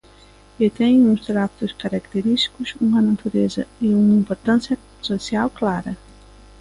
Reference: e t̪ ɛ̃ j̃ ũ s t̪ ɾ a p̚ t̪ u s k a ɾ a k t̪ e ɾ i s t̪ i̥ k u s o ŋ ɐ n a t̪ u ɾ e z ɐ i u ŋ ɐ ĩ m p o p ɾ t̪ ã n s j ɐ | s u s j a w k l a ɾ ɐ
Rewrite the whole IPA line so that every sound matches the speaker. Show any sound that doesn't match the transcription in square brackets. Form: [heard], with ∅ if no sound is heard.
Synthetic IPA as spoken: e t̪ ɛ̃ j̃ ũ s t̪ ɾ a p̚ t̪ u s k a ɾ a k t̪ e ɾ i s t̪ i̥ k u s [u] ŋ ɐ n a t̪ u ɾ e z ɐ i u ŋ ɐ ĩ m p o [∅] ɾ t̪ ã n s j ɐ | s [o] s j a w k l a ɾ ɐ